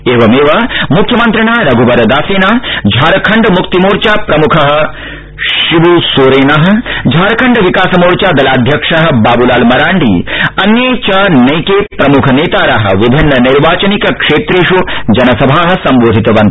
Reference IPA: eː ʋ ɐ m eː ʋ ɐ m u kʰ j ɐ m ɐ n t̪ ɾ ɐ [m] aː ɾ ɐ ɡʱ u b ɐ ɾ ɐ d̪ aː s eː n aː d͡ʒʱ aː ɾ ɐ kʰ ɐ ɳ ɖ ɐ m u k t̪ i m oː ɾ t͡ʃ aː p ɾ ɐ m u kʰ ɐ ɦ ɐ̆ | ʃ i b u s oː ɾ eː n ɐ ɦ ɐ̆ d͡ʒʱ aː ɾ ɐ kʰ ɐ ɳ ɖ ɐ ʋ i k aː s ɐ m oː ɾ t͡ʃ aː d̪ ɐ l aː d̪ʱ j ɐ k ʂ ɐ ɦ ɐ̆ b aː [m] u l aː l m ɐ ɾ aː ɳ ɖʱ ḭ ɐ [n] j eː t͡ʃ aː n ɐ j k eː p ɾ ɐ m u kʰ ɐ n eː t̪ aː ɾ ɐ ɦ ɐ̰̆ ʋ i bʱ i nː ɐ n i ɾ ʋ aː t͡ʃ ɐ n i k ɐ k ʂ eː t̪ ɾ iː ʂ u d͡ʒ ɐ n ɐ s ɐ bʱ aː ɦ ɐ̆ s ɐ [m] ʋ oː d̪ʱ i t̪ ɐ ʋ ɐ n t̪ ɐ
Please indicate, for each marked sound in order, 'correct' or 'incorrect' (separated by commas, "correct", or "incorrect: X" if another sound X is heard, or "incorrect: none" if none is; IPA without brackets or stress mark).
incorrect: ɳ, incorrect: b, correct, correct